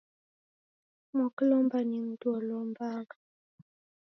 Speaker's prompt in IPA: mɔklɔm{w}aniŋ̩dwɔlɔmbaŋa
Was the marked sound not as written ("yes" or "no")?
yes